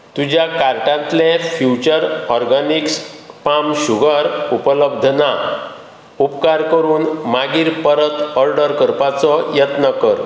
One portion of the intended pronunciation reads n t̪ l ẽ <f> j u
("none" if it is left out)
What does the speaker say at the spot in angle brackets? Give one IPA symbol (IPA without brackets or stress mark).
f